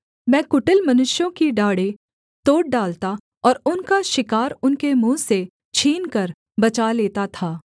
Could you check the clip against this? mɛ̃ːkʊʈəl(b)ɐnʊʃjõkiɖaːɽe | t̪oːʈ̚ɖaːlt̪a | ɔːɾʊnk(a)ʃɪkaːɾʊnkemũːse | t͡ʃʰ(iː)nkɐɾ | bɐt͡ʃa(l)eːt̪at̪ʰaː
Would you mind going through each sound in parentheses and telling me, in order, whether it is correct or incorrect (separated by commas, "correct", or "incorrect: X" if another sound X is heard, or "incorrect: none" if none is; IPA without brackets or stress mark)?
incorrect: m, correct, correct, correct